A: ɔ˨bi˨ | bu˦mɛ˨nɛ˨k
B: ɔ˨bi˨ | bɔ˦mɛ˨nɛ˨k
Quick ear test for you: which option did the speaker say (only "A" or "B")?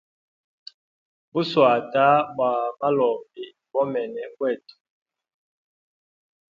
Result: B